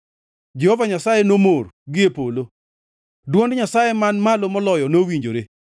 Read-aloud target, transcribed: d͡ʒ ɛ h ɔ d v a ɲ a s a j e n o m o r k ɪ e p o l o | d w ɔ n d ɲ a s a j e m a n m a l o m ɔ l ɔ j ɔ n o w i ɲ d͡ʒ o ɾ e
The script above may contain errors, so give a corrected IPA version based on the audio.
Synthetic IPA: d͡ʒ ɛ h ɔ v a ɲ a s a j e n o m o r ɡ ɪ e p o l o | d w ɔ n d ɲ a s a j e m a n m a l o m ɔ l ɔ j ɔ n o w i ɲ d͡ʒ o ɾ e